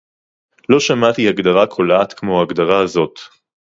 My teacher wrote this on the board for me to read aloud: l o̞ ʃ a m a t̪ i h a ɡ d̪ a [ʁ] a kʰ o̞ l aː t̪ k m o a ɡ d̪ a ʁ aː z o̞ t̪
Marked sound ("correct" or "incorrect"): correct